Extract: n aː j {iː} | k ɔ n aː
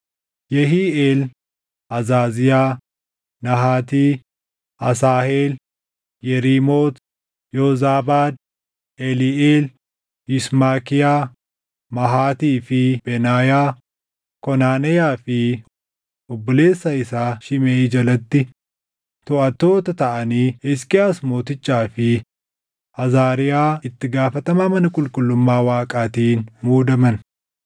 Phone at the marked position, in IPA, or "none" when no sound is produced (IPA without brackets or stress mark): aː